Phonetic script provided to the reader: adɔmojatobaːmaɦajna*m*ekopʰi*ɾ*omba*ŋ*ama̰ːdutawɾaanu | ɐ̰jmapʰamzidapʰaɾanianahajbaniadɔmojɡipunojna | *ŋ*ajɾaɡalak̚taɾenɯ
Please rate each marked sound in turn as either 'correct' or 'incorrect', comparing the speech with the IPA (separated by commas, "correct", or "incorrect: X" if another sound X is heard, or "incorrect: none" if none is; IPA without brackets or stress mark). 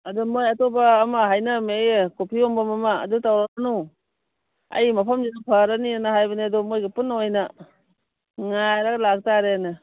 correct, incorrect: none, incorrect: m, correct